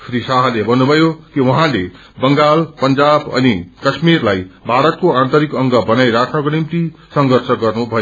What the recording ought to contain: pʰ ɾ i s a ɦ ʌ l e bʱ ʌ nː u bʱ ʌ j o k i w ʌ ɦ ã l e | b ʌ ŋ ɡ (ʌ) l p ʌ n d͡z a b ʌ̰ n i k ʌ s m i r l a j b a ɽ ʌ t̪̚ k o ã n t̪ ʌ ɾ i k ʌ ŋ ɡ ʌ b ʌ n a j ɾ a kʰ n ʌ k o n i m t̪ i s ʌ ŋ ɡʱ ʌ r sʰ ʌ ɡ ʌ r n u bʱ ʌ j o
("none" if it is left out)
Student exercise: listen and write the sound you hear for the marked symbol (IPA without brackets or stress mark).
a